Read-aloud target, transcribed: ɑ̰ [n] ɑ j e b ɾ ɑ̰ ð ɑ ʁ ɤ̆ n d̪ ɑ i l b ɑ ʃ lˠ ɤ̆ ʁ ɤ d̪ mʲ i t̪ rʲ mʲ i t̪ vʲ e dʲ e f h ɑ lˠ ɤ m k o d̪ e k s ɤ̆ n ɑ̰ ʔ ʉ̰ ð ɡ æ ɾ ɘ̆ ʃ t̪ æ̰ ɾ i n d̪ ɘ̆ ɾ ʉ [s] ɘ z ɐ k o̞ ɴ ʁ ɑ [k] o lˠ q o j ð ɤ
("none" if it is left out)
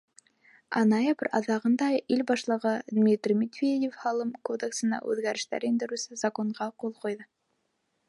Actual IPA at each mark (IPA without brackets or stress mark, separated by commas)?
n, s, q